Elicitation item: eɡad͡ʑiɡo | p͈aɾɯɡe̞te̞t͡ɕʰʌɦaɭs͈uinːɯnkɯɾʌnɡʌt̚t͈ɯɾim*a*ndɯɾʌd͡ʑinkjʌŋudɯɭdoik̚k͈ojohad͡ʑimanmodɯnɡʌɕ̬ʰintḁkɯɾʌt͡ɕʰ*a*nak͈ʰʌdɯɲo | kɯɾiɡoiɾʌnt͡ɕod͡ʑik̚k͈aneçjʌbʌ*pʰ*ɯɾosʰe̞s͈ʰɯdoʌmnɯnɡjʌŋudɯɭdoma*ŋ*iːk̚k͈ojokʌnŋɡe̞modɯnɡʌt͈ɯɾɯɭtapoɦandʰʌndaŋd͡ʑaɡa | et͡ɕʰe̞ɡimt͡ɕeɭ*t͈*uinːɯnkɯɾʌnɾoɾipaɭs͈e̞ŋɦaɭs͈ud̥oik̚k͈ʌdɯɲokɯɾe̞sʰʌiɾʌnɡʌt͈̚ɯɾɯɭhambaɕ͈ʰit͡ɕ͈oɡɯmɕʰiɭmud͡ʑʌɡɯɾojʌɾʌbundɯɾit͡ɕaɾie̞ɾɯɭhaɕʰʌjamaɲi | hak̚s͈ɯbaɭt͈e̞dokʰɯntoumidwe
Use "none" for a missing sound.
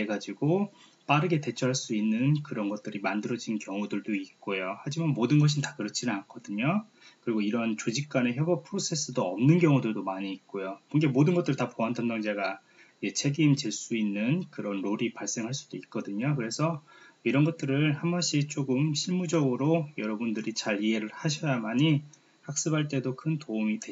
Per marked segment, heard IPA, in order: a, i, pʰ, ɲ, s͈

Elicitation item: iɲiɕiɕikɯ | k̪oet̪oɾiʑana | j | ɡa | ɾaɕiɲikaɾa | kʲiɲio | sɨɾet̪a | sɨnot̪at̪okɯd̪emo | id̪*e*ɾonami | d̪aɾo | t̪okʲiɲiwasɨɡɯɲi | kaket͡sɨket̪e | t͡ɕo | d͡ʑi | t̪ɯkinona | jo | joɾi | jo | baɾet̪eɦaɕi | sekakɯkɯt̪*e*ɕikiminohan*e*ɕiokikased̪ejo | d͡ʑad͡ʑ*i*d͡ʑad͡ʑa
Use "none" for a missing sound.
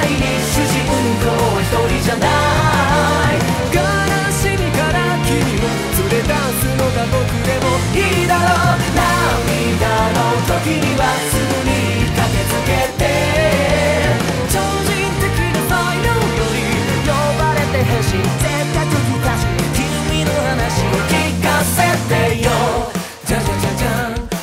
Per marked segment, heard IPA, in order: a, a, a, a

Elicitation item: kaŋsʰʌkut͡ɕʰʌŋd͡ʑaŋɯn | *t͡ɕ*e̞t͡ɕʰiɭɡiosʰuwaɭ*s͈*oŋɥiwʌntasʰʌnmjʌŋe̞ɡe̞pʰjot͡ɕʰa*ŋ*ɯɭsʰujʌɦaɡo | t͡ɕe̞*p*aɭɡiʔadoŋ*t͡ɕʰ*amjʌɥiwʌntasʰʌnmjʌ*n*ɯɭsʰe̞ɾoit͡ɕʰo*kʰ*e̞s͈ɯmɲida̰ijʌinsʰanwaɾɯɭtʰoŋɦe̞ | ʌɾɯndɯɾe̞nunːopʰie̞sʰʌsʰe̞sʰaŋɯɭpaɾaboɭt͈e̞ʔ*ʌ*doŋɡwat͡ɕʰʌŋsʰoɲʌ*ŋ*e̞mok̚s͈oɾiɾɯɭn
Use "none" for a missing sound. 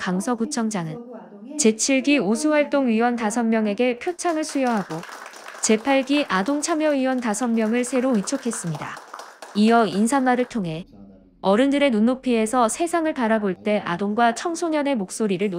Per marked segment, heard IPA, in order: t͡ɕ, t͈, ŋ, pʰ, t͡ɕʰ, ŋ, kʰ, a, n

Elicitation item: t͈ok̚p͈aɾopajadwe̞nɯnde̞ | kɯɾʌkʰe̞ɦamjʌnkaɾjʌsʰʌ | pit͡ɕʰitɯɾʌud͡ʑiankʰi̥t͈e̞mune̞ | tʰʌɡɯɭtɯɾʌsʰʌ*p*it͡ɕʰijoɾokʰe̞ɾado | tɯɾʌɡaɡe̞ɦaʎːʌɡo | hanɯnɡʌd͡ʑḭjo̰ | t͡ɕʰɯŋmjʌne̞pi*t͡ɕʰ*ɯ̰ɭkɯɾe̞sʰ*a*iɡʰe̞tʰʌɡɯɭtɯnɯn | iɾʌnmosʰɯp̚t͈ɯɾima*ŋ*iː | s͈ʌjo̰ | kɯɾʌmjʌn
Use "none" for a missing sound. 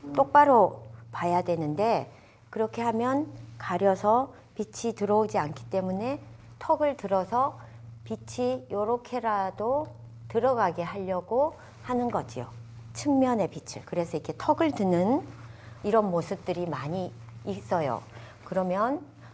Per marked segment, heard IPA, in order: p, t͡ɕʰ, ʌ, ɲ

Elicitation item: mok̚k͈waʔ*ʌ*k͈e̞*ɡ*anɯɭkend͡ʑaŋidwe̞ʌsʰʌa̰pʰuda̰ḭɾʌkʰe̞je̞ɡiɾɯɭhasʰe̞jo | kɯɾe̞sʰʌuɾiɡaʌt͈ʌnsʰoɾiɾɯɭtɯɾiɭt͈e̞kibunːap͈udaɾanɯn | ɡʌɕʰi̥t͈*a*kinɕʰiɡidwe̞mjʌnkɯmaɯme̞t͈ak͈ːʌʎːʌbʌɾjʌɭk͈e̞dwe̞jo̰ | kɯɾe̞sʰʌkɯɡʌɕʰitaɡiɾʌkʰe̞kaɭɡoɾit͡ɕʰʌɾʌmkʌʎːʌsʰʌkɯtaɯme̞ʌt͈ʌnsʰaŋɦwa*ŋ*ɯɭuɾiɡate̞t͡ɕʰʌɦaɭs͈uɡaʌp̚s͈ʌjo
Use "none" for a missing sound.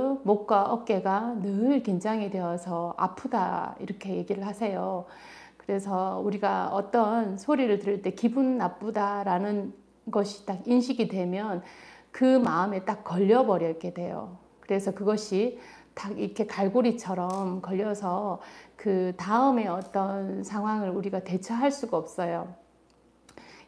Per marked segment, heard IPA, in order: ʌ, ɡ, a, ŋ

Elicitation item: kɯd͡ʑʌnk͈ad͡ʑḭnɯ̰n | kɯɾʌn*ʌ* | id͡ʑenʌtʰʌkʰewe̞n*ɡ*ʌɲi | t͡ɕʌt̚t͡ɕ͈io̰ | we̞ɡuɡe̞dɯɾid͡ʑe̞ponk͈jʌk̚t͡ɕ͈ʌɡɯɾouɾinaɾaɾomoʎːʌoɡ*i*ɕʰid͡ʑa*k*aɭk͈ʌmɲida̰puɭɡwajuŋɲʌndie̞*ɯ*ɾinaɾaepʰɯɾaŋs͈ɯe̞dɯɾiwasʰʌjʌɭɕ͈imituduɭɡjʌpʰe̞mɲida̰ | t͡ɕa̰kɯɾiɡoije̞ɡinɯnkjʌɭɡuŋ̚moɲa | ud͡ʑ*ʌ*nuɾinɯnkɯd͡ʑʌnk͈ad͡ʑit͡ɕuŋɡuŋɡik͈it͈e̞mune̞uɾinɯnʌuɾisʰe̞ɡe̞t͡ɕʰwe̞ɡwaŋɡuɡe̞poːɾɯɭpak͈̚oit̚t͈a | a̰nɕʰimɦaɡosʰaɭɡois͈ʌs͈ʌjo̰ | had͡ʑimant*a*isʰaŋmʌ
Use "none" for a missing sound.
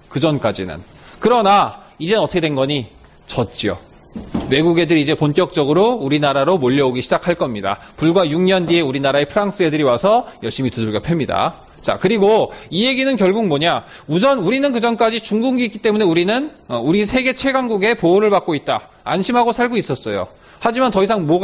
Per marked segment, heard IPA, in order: a, ɡ, i, kʰ, u, ʌ, ʌ

